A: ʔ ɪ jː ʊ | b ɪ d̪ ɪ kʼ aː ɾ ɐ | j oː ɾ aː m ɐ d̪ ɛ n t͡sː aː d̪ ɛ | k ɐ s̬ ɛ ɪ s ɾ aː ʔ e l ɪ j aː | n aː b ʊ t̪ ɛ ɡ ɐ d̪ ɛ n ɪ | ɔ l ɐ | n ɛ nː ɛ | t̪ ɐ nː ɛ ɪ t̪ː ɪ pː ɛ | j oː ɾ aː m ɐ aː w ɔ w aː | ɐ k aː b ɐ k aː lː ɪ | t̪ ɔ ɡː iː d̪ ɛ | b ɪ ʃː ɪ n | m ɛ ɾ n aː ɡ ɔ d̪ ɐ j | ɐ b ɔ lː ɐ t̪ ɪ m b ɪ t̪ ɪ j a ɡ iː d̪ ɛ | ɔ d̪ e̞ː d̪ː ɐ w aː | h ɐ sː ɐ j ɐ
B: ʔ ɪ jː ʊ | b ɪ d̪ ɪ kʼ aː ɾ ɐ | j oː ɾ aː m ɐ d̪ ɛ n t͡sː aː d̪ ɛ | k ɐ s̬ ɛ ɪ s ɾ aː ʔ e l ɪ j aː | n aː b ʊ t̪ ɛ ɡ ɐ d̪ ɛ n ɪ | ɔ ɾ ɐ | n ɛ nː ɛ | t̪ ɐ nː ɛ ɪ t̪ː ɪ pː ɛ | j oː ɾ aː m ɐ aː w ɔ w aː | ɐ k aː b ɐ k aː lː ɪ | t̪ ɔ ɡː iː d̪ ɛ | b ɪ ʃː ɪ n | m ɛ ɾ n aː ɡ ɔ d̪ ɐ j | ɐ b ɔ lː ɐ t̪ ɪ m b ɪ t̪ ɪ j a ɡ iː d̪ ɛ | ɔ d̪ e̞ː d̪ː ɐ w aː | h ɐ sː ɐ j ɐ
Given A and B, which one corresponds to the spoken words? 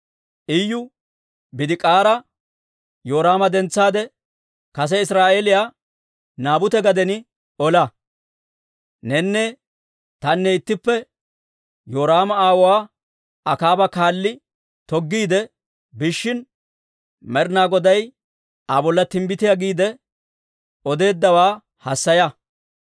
A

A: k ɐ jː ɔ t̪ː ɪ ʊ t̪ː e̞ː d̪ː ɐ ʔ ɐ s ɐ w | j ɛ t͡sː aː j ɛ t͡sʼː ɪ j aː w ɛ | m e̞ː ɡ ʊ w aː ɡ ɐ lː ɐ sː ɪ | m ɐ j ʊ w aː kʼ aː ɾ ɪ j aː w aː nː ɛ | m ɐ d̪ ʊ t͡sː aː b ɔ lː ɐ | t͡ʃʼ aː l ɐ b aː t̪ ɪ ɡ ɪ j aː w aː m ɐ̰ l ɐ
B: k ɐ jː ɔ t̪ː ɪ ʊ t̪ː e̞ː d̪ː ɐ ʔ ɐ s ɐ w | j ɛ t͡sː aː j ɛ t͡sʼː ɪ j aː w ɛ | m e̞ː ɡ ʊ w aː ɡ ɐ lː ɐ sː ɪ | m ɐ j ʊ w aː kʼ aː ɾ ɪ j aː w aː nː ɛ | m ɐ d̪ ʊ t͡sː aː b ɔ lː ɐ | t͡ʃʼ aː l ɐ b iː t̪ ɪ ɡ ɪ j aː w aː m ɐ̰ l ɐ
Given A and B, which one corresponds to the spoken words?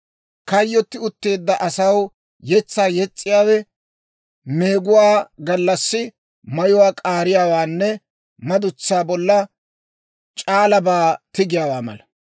A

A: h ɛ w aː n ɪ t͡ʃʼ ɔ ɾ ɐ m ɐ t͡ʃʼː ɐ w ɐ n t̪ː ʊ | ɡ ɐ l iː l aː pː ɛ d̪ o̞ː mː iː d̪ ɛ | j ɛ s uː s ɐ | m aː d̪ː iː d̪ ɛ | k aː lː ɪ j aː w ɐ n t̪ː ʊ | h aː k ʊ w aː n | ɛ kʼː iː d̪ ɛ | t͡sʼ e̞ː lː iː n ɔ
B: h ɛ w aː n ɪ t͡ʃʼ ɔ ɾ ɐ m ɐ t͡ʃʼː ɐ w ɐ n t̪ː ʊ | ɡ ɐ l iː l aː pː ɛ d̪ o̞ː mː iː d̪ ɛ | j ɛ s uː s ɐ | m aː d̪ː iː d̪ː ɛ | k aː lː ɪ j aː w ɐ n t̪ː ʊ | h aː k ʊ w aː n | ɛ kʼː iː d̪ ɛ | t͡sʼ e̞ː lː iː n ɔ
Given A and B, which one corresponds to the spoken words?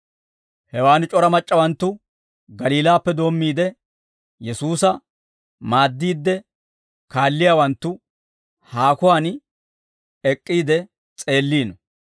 B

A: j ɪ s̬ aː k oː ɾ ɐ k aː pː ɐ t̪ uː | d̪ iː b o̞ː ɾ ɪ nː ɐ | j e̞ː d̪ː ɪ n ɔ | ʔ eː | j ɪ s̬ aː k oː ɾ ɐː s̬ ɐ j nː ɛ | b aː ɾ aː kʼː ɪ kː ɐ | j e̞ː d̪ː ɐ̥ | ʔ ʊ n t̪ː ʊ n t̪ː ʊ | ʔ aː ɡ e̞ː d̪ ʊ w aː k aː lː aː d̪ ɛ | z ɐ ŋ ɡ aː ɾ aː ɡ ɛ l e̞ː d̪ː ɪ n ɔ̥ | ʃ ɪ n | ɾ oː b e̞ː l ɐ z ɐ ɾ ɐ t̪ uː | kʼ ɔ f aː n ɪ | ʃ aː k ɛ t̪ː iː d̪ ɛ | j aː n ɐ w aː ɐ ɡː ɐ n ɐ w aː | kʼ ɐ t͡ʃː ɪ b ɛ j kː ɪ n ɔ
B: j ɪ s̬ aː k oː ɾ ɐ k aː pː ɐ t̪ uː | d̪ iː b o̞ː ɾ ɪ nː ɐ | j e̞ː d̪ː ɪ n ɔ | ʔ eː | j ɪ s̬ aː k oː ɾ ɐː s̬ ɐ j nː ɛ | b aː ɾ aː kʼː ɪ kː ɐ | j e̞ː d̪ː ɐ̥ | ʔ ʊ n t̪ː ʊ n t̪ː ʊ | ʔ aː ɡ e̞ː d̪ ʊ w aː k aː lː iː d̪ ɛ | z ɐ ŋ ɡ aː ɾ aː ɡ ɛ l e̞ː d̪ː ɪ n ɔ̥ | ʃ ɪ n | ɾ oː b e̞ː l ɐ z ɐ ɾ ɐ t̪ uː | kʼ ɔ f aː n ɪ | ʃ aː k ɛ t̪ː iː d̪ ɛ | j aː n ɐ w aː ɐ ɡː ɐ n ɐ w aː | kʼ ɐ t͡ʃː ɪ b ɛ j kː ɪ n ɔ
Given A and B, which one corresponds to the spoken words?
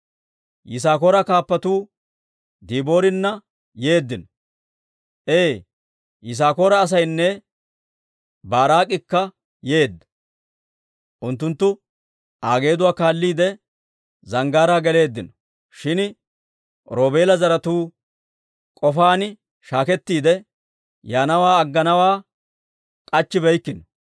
B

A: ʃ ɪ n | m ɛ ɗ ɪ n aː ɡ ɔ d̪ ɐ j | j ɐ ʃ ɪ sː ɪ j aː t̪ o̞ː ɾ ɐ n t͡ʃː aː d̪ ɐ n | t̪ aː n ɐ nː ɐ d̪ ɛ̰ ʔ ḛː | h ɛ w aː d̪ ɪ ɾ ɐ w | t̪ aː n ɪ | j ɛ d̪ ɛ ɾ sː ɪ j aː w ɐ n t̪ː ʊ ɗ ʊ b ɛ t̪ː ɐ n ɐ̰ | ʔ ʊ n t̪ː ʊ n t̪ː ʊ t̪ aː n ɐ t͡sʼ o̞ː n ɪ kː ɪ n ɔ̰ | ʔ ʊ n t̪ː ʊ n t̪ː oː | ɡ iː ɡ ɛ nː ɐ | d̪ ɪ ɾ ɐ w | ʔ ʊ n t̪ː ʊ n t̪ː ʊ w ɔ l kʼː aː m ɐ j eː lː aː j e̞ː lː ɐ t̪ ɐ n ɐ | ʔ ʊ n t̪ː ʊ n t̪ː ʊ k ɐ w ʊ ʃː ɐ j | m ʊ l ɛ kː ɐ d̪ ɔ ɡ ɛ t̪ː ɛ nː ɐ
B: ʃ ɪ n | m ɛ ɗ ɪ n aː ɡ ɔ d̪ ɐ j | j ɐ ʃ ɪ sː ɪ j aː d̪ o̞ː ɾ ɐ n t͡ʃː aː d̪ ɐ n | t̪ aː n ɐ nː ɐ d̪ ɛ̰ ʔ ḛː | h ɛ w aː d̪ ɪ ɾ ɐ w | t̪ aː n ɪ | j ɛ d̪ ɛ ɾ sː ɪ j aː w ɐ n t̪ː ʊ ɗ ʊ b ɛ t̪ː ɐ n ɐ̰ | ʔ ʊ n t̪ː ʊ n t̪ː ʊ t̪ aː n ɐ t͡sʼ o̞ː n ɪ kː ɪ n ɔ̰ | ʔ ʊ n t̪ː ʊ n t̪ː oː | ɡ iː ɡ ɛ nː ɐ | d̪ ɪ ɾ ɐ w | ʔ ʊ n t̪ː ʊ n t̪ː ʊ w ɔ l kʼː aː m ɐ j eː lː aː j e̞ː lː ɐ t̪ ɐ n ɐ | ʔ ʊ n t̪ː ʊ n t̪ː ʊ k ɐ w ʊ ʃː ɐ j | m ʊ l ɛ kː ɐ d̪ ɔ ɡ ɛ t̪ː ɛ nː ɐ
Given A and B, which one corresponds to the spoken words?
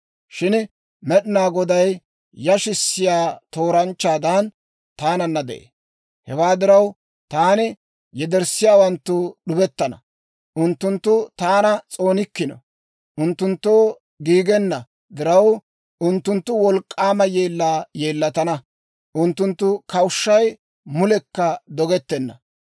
A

